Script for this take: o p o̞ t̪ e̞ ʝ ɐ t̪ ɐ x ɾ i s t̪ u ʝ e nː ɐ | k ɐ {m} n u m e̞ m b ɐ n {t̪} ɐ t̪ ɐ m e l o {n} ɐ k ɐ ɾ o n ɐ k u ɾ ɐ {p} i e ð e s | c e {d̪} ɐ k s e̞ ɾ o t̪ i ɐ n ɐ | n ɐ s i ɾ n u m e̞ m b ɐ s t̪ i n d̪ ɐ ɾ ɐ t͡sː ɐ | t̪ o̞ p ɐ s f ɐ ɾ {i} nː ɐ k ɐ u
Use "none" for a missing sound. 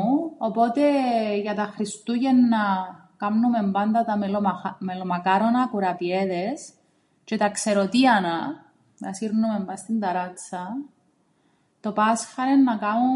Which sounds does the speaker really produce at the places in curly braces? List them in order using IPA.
m, d̪, m, p, t̪, e

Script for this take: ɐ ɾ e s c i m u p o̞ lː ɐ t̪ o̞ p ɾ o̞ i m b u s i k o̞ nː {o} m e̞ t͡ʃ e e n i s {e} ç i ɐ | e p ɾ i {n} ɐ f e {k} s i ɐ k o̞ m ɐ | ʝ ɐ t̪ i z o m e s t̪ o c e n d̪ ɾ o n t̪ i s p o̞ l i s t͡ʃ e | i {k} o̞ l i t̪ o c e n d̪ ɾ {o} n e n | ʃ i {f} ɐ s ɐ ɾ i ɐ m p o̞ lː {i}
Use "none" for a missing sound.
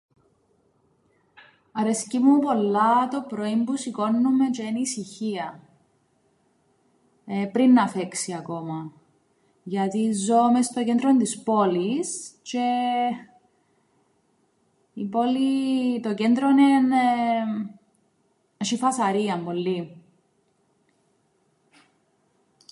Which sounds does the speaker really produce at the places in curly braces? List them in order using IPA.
u, i, nː, k, p, o, f, i

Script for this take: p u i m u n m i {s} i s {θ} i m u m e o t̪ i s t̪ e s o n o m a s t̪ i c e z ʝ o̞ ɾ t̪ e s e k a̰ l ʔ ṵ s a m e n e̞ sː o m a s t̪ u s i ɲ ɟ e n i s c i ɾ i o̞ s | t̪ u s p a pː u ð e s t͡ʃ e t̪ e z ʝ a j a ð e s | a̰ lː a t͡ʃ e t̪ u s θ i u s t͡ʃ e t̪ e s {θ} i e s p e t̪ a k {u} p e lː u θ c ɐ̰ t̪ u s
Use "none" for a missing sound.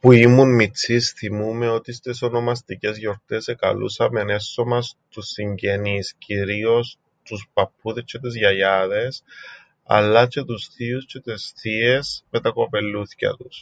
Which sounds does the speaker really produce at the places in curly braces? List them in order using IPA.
t͡s, θ, θ, o

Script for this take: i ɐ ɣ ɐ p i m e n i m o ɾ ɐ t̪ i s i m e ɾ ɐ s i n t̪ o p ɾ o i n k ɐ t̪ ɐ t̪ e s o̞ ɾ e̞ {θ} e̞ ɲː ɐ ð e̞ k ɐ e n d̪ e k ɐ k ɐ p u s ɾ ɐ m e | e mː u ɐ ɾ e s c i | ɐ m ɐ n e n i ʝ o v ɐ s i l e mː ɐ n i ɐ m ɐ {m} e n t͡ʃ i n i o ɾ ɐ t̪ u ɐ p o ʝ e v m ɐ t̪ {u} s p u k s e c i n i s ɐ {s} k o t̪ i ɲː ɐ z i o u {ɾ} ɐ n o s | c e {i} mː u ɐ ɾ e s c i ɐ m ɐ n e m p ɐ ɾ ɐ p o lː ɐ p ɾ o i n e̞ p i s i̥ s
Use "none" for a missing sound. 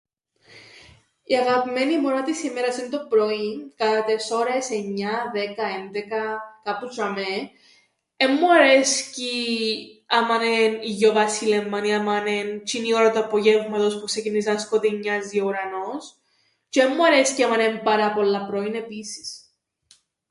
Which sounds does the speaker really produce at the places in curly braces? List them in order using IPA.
s, n, o, s, ɾ, e

